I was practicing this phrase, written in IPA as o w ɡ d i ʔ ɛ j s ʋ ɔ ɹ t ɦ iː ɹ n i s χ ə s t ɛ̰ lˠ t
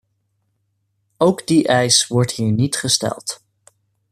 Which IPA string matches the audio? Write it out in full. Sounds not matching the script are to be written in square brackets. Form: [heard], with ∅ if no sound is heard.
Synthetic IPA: o w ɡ d i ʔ ɛ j s ʋ ɔ ɹ t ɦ iː ɹ n i [t] χ ə s t ɛ̰ lˠ t

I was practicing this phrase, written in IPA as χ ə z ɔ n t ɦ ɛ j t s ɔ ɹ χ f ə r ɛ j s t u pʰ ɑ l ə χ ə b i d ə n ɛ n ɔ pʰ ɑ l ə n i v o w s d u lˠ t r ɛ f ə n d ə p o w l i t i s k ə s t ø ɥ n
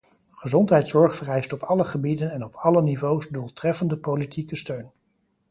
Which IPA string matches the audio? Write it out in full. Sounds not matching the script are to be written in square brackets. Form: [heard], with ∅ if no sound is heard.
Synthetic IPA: χ ə z ɔ n t ɦ ɛ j t s ɔ ɹ χ f ə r ɛ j s t [ɔ] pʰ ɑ l ə χ ə b i d ə n ɛ n ɔ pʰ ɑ l ə n i v o w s d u lˠ t r ɛ f ə n d ə p o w l i t i [∅] k ə s t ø ɥ n

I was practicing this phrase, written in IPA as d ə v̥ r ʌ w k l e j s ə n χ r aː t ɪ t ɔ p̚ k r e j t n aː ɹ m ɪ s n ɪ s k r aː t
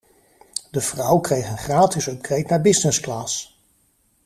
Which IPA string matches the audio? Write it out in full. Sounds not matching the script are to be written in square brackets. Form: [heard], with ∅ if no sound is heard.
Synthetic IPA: d ə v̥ r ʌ w k [r] e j [χ] ə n χ r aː t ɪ [s] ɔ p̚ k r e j t n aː ɹ [b] ɪ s n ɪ s k [l] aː [s]

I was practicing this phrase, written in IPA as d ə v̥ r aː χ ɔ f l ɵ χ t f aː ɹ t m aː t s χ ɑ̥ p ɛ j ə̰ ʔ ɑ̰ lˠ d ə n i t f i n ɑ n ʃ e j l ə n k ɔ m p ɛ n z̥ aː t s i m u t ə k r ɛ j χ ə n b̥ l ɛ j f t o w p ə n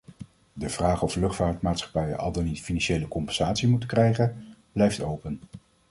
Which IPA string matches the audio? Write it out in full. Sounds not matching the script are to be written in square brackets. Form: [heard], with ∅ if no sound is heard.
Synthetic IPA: d ə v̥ r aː χ ɔ f l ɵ χ t f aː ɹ t m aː t s χ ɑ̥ p ɛ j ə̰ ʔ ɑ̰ lˠ d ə n i t f i n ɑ n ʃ e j l ə [∅] k ɔ m p ɛ n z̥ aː t s i m u t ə k r ɛ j χ ə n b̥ l ɛ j f t o w p ə n

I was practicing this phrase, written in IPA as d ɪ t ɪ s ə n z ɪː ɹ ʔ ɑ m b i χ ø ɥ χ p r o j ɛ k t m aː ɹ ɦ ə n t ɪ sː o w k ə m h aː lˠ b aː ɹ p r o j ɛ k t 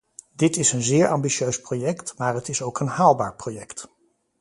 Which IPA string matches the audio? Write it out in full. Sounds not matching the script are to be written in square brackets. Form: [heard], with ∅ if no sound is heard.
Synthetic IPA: d ɪ t ɪ s ə n z ɪː ɹ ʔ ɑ m b i [ʃ] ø ɥ [s] p r o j ɛ k t m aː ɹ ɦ ə [∅] t ɪ [s] o w k ə [n] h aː lˠ b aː ɹ p r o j ɛ k t

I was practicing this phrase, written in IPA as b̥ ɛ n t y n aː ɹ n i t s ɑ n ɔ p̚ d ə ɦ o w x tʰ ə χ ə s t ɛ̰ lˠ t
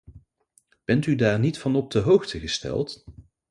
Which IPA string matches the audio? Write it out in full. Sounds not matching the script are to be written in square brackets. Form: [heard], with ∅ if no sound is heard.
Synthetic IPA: b̥ ɛ n t y [d] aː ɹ n i t [f] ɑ n ɔ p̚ d ə ɦ o w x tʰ ə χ ə s t ɛ̰ lˠ t

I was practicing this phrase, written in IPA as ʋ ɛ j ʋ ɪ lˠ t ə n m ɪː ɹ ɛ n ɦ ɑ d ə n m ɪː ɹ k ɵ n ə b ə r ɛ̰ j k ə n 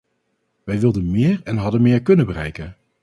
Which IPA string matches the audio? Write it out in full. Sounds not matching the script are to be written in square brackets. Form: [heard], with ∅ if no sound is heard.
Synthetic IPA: ʋ ɛ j ʋ ɪ lˠ [d] ə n m ɪː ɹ ɛ n ɦ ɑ d ə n m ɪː ɹ k ɵ n ə b ə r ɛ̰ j k ə n

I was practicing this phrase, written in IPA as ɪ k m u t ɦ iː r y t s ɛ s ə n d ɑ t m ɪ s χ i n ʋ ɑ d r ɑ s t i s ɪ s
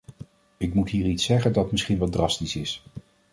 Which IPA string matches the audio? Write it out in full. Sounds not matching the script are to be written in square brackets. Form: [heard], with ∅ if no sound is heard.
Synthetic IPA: ɪ k m u t ɦ iː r [i] t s ɛ [χ] ə n d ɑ t m ɪ s χ i n ʋ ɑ d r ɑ s t i s ɪ s

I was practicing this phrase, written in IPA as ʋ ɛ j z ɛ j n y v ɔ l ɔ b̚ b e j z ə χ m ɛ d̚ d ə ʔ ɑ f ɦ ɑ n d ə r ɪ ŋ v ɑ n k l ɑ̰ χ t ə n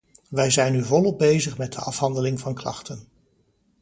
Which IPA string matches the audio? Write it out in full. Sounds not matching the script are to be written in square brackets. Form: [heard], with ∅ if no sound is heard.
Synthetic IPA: ʋ ɛ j z ɛ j n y v ɔ l ɔ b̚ b e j z ə χ m ɛ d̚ d ə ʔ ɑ f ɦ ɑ n d ə [l] ɪ ŋ v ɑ n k l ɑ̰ χ t ə n

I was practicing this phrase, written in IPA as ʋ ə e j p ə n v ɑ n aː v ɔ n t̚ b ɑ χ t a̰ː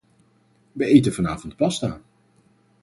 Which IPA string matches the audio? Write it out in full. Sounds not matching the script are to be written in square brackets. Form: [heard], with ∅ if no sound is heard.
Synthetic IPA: ʋ ə e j [t] ə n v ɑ n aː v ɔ n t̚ [p] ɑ [s] t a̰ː

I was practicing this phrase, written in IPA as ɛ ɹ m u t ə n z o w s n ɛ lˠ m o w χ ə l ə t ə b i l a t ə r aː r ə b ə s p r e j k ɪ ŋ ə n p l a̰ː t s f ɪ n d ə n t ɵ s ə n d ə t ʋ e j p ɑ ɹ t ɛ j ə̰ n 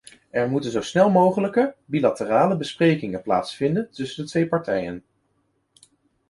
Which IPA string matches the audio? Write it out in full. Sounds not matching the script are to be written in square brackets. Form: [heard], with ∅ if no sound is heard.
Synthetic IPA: ɛ ɹ m u t ə n z o w s n ɛ lˠ m o w χ ə l ə [k] ə b i l a t ə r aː [l] ə b ə s p r e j k ɪ ŋ ə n p l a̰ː t s f ɪ n d ə n t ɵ s ə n d ə t ʋ e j p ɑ ɹ t ɛ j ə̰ n

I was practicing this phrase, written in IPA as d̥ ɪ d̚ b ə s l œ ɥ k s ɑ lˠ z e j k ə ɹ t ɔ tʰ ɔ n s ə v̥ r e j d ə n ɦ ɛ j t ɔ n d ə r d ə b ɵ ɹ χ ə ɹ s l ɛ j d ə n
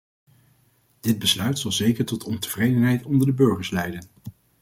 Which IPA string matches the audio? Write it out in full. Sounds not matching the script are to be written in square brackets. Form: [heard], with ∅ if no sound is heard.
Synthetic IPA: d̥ ɪ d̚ b ə s l œ ɥ [t] s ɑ lˠ z e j k ə ɹ t ɔ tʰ ɔ n [t] ə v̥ r e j d ə n ɦ ɛ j t ɔ n d ə [ɹ] d ə b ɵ ɹ χ ə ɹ s l ɛ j d ə n

